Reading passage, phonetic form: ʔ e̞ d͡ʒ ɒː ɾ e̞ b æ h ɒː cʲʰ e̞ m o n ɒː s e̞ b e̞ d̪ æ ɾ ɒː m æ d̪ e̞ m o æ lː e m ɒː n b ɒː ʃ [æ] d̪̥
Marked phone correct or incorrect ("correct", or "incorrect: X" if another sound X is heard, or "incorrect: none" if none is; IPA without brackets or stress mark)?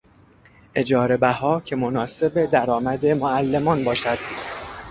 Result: correct